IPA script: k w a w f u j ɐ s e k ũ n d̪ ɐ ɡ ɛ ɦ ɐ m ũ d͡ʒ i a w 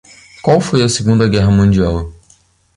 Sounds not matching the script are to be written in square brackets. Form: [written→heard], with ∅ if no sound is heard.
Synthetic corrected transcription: k w a w f [u→o] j ɐ s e [k→ɡ] ũ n d̪ ɐ ɡ ɛ ɦ ɐ m ũ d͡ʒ i a w